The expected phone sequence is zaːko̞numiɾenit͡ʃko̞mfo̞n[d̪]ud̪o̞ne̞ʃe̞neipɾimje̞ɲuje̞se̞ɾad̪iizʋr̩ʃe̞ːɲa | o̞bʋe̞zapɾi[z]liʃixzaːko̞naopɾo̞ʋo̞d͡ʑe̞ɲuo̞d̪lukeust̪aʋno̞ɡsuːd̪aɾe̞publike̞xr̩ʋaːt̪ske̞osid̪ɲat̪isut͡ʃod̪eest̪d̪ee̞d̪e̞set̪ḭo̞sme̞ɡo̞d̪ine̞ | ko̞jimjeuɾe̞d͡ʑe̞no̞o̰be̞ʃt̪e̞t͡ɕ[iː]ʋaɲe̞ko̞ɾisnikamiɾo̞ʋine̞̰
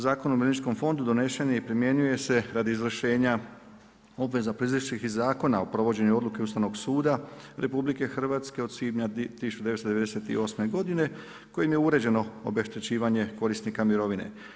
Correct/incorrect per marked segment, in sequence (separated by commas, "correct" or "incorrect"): correct, correct, correct